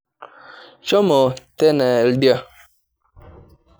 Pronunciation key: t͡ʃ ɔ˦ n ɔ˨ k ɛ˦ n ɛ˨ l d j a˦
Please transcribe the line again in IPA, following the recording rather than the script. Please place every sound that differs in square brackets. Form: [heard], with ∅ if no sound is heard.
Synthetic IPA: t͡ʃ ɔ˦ [m] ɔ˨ [t] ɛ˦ n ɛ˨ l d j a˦